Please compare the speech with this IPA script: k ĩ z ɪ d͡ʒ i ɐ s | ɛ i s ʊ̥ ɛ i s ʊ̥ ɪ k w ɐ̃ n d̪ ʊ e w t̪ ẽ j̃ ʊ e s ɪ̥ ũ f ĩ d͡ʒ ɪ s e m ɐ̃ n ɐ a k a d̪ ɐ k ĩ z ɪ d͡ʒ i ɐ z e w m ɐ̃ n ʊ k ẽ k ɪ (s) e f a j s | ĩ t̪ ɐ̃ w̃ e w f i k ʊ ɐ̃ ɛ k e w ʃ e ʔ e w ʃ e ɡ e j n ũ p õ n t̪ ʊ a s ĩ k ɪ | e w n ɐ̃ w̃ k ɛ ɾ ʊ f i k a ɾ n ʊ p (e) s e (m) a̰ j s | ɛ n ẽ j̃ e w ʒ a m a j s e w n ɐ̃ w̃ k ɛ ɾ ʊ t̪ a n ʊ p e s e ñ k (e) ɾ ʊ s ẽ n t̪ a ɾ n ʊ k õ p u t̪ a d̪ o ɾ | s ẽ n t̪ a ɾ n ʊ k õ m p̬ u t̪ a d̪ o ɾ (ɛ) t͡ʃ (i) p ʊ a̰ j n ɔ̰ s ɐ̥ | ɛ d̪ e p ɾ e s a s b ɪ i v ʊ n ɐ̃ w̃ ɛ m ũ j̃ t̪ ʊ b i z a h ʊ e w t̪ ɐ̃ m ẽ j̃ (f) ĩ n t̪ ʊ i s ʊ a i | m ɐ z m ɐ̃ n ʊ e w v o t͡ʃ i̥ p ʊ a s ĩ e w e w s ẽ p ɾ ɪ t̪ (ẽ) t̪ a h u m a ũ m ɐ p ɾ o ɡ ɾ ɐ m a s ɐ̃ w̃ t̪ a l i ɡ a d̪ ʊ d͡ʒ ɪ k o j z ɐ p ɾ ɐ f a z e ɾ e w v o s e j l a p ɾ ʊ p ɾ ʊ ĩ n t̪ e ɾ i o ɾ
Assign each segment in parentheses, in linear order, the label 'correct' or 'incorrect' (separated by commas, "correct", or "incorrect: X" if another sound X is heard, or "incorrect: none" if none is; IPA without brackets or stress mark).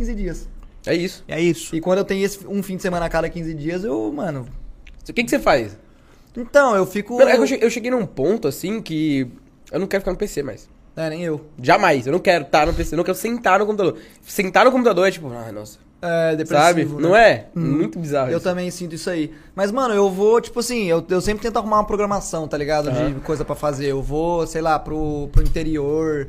correct, correct, correct, incorrect: ɛ, correct, correct, incorrect: s, correct